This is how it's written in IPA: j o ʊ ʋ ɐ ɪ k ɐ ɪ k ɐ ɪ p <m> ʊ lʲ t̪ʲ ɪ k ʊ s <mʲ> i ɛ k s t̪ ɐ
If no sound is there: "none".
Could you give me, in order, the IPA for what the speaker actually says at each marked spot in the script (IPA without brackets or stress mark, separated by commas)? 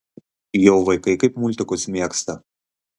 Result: m, mʲ